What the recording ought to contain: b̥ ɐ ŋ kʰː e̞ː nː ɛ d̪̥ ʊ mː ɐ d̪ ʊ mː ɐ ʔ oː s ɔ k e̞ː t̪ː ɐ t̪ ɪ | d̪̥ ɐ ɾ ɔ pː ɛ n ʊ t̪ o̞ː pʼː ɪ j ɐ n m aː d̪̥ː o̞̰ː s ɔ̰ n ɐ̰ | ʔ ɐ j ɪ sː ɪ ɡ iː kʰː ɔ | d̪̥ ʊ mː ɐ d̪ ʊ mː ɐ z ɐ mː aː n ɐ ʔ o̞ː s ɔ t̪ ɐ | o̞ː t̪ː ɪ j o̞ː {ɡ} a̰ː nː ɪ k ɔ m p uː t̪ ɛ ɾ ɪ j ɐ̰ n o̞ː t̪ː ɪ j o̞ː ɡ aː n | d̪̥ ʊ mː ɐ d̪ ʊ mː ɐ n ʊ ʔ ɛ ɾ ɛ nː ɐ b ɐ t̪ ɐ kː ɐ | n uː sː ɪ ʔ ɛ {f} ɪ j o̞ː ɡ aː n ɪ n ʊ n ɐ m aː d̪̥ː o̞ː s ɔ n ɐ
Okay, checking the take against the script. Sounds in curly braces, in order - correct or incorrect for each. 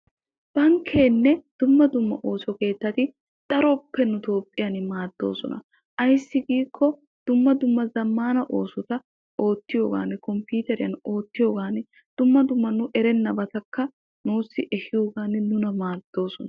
correct, incorrect: h

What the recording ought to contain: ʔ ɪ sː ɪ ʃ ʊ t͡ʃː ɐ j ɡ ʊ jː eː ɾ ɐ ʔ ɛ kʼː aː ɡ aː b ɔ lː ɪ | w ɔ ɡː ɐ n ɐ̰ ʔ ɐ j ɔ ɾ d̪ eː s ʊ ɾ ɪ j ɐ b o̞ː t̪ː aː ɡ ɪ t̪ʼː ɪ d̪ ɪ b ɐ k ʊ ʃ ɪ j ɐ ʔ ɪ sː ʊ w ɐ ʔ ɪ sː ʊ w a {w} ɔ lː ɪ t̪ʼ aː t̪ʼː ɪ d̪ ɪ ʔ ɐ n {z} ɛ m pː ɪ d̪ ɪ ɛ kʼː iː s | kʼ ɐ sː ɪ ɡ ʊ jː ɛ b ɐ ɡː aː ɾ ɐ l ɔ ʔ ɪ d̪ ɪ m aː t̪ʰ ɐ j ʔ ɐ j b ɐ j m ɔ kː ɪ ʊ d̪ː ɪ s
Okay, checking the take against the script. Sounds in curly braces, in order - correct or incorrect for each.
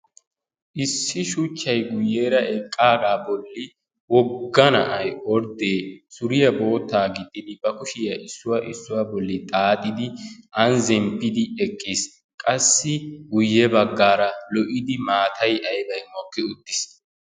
incorrect: b, correct

